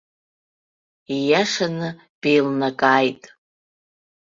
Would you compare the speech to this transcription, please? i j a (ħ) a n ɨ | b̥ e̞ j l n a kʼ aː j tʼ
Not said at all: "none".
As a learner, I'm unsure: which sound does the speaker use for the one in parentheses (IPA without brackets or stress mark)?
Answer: ʂ